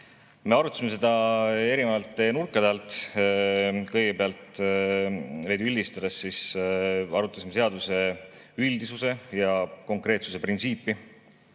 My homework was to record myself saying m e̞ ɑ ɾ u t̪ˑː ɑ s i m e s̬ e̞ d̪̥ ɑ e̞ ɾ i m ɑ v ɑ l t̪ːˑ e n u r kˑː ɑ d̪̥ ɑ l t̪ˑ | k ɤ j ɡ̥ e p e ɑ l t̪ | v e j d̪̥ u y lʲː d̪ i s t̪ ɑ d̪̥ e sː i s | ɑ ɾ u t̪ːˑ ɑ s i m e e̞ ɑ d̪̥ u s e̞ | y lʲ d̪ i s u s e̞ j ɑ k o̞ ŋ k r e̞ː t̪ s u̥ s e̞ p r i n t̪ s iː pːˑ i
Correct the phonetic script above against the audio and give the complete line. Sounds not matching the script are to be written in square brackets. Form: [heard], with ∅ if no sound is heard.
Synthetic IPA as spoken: m e̞ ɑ ɾ u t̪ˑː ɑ s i m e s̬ e̞ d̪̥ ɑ e̞ ɾ i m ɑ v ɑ l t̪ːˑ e n u r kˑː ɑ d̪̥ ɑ l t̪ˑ | k ɤ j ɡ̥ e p e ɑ l t̪ | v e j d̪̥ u y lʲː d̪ i s t̪ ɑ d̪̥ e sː i s | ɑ ɾ u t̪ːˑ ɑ s i m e e̞ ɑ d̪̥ u s e̞ | y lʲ d̪ i s u s e̞ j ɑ k o̞ ŋ k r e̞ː t̪ s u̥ s e̞ p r i n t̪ s iː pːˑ i

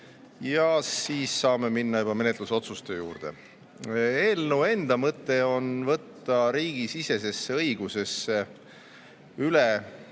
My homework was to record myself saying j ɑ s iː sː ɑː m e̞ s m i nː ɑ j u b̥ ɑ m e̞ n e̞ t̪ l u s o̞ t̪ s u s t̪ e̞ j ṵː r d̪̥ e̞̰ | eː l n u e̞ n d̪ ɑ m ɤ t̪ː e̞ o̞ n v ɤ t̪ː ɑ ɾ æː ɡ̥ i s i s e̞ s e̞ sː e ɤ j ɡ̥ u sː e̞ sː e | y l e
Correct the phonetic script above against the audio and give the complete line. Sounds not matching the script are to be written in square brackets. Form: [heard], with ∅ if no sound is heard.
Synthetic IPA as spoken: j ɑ s iː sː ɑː m e̞ [∅] m i nː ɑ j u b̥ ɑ m e̞ n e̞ t̪ l u s o̞ t̪ s u s t̪ e̞ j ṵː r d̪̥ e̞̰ | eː l n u e̞ n d̪ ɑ m ɤ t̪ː e̞ o̞ n v ɤ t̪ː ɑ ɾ [iː] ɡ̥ i s i s e̞ s e̞ sː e ɤ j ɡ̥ u [s] e̞ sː e | y l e

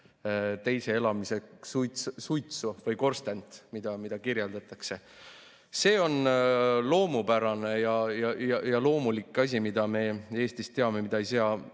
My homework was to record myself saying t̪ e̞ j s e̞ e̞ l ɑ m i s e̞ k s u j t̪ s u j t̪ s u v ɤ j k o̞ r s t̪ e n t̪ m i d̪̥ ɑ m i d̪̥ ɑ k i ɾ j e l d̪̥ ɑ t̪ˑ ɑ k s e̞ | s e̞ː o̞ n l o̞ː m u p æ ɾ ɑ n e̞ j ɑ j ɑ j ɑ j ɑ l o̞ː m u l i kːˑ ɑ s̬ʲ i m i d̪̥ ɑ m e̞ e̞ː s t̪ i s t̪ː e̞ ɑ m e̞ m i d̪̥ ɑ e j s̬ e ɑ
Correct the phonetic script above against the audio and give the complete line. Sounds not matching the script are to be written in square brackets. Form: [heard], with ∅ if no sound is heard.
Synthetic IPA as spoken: t̪ e̞ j s e̞ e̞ l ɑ m i s e̞ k s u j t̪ s u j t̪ s u v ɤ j k o̞ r s t̪ e n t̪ m i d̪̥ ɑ m i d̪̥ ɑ k i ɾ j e l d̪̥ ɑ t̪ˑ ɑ k s e̞ | s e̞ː o̞ n l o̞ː m u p æ ɾ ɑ n e̞ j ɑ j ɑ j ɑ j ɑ l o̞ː m u l i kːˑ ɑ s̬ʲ i m i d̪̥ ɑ m e̞ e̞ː s t̪ i s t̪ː e̞ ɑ m e̞ m i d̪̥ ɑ e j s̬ e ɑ

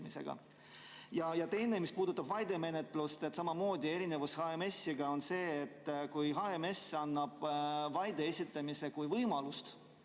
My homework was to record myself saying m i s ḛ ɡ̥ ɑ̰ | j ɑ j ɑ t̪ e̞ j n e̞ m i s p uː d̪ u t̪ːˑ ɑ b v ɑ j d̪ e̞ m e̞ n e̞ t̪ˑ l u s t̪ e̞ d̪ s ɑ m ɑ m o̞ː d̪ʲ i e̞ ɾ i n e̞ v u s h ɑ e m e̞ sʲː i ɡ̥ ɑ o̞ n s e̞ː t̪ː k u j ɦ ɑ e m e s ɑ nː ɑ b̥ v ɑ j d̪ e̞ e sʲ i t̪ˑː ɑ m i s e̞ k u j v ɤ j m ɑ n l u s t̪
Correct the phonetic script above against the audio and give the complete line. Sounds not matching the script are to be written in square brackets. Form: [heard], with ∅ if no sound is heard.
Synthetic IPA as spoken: m i s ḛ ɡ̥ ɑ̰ | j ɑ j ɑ t̪ e̞ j n e̞ m i s p uː d̪ u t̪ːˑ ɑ b v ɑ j d̪ e̞ m e̞ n e̞ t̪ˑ l u s t̪ e̞ [t̪] s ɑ m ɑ m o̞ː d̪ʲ i e̞ ɾ i n e̞ v u s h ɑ e m e̞ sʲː i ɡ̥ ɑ o̞ n s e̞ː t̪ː k u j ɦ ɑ e m e s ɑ nː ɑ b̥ v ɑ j d̪ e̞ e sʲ i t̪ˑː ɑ m i s e̞ k u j v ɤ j m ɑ [∅] l u s t̪

